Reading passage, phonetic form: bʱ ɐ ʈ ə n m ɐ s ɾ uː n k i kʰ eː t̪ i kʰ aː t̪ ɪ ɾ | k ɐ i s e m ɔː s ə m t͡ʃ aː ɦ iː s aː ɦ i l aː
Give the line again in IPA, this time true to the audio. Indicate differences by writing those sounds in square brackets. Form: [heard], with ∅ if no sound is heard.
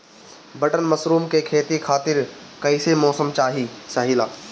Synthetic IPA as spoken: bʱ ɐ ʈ ə n m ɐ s ɾ uː [m] k [e] kʰ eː t̪ i kʰ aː t̪ ɪ ɾ | k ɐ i s e m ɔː s ə m t͡ʃ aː ɦ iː s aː ɦ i l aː